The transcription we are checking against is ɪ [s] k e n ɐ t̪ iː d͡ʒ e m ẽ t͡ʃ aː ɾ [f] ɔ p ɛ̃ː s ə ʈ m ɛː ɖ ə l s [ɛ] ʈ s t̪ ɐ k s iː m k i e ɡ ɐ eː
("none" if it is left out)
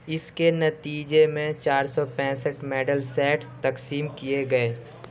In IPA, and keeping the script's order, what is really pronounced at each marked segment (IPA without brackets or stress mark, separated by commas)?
s, s, ɛː